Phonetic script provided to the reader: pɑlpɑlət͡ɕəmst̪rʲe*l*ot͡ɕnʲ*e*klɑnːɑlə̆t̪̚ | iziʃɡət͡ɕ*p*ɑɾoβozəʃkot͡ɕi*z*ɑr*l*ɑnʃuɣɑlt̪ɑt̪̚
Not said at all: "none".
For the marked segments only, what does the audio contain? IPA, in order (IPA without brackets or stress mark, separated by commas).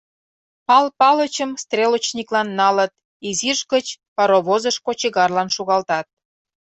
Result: l, i, p, ɣ, l